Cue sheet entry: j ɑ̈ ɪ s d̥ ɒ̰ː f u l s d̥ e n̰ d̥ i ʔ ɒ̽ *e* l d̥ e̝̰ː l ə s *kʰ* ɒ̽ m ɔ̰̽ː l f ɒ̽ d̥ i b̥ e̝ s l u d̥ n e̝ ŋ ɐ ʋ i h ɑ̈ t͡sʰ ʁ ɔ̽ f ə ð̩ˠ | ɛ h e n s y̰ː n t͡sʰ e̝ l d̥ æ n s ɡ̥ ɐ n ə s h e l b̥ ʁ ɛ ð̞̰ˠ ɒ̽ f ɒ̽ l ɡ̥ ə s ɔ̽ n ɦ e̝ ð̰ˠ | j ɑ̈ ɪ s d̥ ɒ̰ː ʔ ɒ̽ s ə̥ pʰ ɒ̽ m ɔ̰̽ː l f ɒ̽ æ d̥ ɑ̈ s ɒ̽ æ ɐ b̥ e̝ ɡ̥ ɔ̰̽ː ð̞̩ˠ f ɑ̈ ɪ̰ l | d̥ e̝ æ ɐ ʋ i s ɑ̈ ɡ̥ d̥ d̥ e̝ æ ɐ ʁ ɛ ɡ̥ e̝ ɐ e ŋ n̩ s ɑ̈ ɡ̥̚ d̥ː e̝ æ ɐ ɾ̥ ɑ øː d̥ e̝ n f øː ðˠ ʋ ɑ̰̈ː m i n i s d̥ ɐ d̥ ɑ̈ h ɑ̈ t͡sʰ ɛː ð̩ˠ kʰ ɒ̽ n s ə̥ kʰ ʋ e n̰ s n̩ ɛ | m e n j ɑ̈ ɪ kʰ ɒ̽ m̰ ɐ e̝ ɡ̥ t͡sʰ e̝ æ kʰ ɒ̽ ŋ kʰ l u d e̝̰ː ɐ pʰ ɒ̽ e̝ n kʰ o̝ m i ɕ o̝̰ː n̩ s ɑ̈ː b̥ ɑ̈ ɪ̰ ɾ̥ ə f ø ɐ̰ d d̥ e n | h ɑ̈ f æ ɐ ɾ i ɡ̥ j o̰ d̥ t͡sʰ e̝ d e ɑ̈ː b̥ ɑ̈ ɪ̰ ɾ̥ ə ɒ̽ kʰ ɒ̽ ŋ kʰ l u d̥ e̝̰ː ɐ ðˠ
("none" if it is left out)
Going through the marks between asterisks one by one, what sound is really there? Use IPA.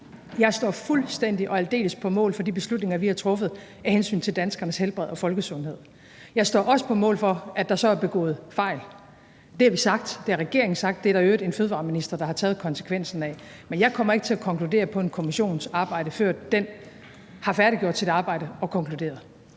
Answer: æ, pʰ

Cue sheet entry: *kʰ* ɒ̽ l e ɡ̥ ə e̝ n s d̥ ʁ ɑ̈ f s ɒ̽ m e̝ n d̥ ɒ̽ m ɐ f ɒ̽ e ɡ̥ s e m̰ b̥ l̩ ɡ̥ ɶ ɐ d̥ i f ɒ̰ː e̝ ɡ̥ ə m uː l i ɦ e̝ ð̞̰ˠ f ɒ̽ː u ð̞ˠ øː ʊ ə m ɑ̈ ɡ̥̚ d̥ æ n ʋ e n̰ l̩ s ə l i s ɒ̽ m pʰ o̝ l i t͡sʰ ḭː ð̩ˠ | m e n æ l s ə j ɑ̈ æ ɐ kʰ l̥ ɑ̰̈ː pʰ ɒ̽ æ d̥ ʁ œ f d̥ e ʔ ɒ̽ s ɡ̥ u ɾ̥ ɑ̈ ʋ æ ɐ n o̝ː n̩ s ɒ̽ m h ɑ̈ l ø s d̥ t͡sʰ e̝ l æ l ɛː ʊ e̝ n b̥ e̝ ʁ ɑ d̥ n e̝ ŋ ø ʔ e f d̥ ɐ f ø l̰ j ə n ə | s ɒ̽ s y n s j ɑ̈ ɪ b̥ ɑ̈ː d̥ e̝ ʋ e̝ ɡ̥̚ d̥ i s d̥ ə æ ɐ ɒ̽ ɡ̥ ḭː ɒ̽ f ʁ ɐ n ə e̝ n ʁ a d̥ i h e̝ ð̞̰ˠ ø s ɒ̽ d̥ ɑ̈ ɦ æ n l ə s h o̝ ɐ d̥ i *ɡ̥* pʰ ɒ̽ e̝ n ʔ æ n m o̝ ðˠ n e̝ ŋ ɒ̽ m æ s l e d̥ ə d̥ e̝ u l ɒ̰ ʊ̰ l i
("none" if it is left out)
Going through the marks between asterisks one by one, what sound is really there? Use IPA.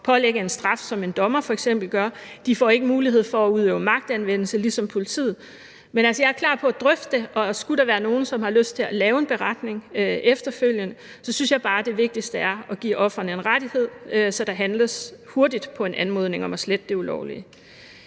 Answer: pʰ, d̥

